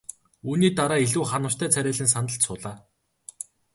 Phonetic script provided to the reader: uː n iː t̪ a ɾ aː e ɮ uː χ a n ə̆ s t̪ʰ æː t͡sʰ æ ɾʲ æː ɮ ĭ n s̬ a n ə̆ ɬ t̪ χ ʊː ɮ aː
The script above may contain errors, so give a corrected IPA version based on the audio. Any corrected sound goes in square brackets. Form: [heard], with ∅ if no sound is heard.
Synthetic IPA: uː n iː t̪ a ɾ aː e ɮ uː χ a n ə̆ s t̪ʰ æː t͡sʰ æ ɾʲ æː ɮ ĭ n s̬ a n ə̆ ɬ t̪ [s] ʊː ɮ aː